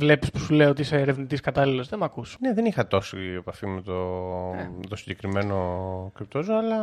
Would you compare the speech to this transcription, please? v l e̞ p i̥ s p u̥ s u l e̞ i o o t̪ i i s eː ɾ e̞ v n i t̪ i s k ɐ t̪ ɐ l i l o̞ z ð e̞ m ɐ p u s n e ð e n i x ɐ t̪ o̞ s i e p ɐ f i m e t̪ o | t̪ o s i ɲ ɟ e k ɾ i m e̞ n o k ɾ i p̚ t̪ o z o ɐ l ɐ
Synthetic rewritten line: v l e̞ p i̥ s p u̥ s u l e̞ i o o t̪ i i s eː ɾ e̞ v n i t̪ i s k ɐ t̪ ɐ l i l o̞ z ð e̞ m ɐ k u s n e ð e n i x ɐ t̪ o̞ s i e p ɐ f i m e t̪ o | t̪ o s i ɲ ɟ e k ɾ i m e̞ n o k ɾ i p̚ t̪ o z o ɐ l ɐ